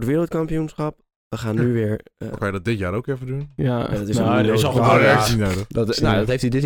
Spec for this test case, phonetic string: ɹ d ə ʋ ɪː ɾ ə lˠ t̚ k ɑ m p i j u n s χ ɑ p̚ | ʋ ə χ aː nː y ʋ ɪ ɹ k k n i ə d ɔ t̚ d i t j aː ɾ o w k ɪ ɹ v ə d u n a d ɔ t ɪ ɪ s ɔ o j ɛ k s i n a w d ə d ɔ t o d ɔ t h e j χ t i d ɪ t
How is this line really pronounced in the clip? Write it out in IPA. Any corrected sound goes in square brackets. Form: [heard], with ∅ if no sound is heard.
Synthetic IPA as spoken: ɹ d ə ʋ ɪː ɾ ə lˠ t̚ k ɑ m p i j u n s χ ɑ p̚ | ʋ ə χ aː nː y ʋ ɪ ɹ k k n [j] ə d ɔ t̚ d [ɪ] t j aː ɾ o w k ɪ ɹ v ə d u n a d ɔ t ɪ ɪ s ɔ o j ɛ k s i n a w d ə d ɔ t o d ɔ t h e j [f] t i d ɪ t